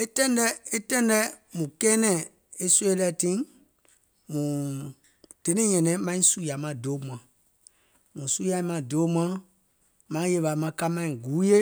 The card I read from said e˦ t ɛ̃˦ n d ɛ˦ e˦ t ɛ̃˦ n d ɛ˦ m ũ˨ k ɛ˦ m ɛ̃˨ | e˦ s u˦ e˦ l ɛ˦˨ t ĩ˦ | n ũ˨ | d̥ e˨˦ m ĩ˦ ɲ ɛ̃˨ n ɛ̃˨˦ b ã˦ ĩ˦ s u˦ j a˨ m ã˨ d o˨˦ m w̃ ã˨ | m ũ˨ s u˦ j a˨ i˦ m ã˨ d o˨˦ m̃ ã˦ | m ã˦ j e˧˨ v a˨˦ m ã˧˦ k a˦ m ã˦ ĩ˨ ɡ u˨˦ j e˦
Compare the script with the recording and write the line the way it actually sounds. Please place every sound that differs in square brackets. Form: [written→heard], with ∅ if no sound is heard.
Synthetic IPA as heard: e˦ t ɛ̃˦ n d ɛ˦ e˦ t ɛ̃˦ n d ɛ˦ m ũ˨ k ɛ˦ [m→n] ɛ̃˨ | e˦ s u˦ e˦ l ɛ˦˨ t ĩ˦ | [n→m] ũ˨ | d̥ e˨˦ [m→n] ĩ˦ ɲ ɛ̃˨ n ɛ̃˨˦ [b→m] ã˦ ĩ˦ s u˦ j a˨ m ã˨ d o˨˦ m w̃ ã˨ | m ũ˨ s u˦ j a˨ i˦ m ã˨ d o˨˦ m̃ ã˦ | m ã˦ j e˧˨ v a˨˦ m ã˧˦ k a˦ m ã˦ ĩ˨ ɡ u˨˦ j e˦

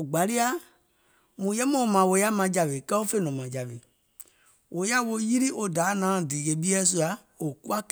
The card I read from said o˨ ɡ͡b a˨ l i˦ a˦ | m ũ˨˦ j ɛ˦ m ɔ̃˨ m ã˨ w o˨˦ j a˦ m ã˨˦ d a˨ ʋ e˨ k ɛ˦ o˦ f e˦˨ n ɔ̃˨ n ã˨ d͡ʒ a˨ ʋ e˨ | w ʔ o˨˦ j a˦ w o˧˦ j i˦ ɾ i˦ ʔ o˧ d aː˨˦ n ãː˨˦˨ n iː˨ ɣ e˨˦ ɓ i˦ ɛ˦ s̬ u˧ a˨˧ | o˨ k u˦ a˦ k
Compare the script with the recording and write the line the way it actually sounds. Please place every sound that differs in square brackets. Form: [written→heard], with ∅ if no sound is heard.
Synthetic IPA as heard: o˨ ɡ͡b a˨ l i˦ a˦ | m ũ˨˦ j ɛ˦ m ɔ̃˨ m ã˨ w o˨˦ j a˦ m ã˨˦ [d→d͡ʒ] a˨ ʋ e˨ k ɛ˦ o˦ f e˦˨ n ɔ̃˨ [n→m] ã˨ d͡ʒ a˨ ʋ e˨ | w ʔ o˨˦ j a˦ w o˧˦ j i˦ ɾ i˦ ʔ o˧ d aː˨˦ n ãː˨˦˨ [n→d] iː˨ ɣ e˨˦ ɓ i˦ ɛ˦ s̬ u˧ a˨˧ | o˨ k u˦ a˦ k

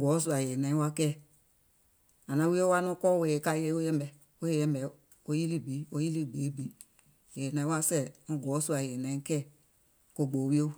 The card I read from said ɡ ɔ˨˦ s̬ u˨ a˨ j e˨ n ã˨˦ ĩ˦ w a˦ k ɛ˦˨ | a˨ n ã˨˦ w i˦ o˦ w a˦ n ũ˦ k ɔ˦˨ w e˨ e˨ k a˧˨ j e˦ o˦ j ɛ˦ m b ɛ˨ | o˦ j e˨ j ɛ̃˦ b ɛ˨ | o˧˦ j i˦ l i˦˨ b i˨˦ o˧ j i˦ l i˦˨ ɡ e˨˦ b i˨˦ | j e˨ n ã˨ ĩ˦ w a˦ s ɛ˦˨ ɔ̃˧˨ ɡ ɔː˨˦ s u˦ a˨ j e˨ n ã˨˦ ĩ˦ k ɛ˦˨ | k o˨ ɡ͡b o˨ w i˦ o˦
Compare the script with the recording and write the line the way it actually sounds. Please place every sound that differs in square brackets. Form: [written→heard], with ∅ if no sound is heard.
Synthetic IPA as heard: ɡ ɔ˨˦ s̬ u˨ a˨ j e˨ n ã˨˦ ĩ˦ w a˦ k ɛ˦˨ | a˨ n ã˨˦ w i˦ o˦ w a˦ n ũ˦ k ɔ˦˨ w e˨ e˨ k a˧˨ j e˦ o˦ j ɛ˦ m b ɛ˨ | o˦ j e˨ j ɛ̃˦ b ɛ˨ | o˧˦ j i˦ l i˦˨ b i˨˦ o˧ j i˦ l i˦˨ [ɡ→ɡ͡b] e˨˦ b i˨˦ | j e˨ n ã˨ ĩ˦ w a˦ s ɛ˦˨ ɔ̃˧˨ ɡ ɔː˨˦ s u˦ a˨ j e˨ n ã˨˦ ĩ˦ k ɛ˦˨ | k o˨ ɡ͡b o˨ w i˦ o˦

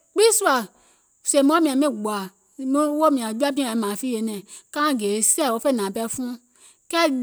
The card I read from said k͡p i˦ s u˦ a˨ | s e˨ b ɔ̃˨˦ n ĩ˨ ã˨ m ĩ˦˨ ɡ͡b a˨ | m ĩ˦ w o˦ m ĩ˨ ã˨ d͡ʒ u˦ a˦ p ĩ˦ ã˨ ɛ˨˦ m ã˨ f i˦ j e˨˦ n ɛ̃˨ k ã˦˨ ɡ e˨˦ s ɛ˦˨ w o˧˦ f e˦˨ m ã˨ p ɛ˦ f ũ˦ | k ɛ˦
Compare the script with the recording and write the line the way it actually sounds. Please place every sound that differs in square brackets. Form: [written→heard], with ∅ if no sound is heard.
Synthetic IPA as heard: k͡p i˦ s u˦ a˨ | s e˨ [b→m] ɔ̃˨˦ [n→m] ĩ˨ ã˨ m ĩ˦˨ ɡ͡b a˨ | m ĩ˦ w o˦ m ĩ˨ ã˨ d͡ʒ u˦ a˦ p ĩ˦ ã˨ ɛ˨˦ m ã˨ f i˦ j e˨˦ n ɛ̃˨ k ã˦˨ ɡ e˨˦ s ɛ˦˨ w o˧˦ f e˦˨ [m→n] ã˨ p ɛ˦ f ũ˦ | k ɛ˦

